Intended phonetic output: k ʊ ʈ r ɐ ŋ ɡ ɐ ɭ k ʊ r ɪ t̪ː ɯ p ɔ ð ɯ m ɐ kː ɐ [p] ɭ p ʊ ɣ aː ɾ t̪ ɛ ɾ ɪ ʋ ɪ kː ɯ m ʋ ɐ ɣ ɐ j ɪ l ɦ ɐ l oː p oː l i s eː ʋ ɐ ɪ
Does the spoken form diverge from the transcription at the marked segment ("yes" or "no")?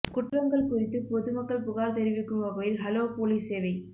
yes